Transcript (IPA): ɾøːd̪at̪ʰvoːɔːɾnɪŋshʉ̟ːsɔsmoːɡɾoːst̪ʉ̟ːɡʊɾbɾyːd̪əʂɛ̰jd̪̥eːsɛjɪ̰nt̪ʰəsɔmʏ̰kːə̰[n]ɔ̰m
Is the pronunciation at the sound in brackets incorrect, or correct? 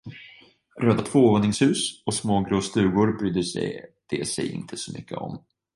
incorrect